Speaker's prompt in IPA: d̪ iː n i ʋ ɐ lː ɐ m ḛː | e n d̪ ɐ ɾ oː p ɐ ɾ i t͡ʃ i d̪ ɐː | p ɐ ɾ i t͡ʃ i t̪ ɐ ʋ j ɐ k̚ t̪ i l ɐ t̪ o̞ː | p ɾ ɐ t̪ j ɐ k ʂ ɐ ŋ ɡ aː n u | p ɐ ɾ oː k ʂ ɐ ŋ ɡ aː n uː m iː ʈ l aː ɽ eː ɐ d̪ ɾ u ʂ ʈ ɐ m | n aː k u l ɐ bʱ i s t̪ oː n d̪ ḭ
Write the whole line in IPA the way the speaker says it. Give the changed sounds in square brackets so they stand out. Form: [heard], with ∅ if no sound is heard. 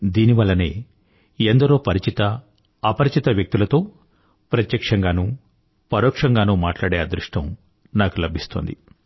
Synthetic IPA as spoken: d̪ iː n i ʋ ɐ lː ɐ [n] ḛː | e n d̪ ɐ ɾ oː p ɐ ɾ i t͡ʃ i [t̪] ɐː | p ɐ ɾ i t͡ʃ i t̪ ɐ ʋ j ɐ k̚ t̪ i l ɐ t̪ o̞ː | p ɾ ɐ t̪ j ɐ k ʂ ɐ ŋ ɡ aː n u | p ɐ ɾ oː k ʂ ɐ ŋ ɡ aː n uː m [aː] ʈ l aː ɽ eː ɐ d̪ ɾ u ʂ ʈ ɐ m | n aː k u l ɐ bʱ i s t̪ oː n d̪ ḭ